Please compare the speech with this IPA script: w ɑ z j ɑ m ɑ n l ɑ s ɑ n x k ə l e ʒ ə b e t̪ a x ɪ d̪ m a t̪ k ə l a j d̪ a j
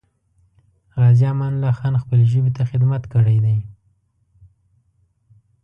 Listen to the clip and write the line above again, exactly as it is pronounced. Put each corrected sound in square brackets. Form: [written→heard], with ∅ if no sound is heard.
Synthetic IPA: [w→ɣ] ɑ z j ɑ m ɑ n l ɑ [s→x] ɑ n x [k→p] ə l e ʒ ə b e t̪ a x ɪ d̪ m a t̪ k ə [l→ɽ] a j d̪ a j